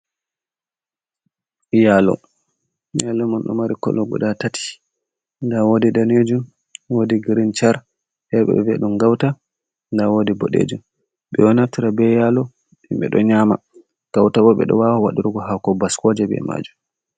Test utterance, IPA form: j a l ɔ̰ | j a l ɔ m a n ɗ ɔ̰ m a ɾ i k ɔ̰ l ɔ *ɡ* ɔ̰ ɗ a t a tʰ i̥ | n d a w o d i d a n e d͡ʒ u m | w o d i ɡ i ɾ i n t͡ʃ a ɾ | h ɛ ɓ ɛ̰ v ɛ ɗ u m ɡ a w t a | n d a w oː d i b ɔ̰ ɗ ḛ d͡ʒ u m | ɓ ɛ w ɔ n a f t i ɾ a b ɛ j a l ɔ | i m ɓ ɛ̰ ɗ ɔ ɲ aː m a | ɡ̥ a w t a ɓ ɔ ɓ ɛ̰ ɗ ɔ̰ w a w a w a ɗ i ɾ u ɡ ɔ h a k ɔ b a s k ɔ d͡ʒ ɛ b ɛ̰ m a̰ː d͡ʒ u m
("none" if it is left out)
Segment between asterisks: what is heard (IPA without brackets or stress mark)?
ɡ